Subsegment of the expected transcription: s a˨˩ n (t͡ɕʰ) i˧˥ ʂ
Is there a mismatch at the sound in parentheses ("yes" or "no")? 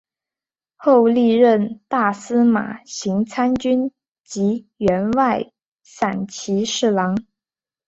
no